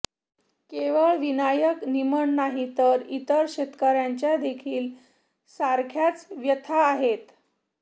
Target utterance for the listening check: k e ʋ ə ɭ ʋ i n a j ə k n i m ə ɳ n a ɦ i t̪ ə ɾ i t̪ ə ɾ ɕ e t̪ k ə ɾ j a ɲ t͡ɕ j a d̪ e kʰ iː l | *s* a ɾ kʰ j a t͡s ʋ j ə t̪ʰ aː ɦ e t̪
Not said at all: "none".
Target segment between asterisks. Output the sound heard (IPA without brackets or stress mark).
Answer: s